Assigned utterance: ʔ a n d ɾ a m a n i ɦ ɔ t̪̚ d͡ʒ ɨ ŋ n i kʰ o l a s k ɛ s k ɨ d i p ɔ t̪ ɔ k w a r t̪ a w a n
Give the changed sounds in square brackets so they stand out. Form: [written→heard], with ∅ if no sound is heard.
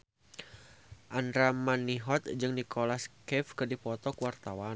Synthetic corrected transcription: ʔ a n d ɾ a m a n i ɦ ɔ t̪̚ d͡ʒ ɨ ŋ n i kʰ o l a s k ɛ [s→f] k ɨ d i p ɔ t̪ ɔ k w a r t̪ a w a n